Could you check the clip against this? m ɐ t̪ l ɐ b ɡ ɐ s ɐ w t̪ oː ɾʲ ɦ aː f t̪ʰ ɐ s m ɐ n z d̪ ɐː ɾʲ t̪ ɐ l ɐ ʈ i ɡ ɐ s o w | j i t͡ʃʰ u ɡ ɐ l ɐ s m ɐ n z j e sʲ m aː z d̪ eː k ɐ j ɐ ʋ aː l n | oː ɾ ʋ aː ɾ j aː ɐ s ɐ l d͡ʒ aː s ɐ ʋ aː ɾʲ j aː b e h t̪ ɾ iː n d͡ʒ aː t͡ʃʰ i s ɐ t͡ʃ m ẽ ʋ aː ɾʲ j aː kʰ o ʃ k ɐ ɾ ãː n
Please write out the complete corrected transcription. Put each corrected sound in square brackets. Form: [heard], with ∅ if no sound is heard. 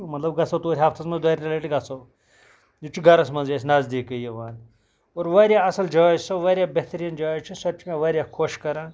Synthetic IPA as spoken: m ɐ t̪ l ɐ b ɡ ɐ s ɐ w t̪ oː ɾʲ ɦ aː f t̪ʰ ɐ s m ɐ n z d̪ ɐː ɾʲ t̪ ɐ l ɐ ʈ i ɡ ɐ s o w | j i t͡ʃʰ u ɡ ɐ [ɾ] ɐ s m ɐ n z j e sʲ [n] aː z d̪ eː k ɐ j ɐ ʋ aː [∅] n | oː ɾ ʋ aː ɾ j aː ɐ s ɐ l d͡ʒ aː s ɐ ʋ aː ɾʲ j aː b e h t̪ ɾ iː n d͡ʒ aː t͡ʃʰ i s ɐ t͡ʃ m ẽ ʋ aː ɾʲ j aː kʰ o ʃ k ɐ ɾ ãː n